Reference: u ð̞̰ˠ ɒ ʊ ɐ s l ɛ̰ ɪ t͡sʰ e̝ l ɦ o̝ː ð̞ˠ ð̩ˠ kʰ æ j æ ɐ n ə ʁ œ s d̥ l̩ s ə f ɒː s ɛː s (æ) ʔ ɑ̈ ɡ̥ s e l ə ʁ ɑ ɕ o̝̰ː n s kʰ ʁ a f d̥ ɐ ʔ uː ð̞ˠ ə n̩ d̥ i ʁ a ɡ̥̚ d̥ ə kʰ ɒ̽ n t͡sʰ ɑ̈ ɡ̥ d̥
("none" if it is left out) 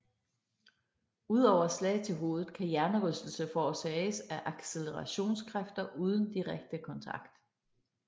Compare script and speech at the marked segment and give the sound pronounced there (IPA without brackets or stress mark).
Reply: æ